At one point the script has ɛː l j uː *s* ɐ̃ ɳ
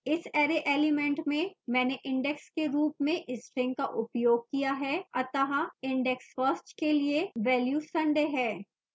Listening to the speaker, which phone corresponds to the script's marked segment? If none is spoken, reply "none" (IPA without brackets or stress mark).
s